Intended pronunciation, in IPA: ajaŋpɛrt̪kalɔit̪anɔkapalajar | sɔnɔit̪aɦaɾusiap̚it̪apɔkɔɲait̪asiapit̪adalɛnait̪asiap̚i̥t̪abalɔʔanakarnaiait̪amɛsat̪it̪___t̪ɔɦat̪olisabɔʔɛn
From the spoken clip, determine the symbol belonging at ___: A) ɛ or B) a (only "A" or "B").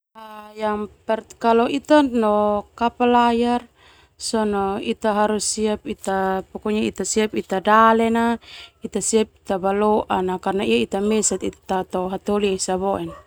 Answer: B